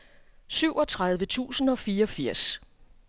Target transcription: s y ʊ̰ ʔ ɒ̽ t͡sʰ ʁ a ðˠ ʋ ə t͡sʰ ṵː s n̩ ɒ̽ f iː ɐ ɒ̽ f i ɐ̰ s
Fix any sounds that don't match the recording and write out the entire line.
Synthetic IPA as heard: s y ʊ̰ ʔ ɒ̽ t͡sʰ ʁ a ðˠ ʋ ə t͡sʰ ṵː s n̩ ɒ̽ f iː ɐ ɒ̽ f i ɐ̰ s